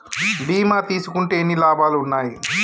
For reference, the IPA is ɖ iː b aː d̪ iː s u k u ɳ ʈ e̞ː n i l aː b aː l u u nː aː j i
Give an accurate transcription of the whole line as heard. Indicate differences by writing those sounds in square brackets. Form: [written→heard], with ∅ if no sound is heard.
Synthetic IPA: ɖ iː [b→m] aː [d̪→t̪] iː s u k u ɳ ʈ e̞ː n i l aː b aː l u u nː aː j i